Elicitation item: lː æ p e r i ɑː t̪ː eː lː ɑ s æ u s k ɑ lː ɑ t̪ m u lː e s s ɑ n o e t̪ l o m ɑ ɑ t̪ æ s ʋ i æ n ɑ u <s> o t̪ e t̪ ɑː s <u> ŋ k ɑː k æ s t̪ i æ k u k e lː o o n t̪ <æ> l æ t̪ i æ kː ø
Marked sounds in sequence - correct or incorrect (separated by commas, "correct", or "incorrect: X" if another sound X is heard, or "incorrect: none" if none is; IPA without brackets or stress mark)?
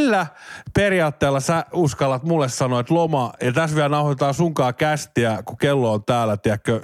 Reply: incorrect: h, correct, incorrect: æː